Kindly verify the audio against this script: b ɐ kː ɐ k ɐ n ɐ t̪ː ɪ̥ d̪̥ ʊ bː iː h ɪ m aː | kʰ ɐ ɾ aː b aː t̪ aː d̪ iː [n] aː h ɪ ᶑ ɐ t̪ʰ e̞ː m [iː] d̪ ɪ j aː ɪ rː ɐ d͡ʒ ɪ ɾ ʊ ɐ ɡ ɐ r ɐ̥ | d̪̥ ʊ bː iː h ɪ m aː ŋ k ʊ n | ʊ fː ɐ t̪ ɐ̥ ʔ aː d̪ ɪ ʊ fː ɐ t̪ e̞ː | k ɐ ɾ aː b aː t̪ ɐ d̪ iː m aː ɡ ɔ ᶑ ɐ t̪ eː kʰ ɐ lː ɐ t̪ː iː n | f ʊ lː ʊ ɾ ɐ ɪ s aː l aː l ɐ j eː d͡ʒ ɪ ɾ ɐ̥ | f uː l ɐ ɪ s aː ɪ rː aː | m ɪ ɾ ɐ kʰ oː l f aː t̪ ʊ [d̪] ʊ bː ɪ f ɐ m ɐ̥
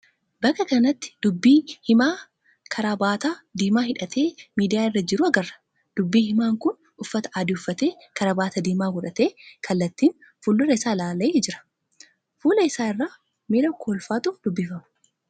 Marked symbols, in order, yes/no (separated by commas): no, yes, yes